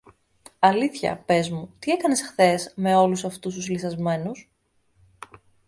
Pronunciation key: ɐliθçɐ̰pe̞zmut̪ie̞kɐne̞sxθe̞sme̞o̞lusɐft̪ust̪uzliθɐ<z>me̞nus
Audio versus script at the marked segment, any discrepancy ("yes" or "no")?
no